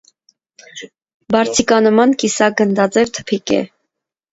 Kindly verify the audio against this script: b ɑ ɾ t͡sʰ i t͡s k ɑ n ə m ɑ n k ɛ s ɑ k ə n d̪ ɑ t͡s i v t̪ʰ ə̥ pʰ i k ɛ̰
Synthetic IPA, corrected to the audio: b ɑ ɾ t͡sʰ i k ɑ n ə m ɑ n k i s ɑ ɡ ə n d̪ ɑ t͡s ɛ v t̪ʰ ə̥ pʰ i k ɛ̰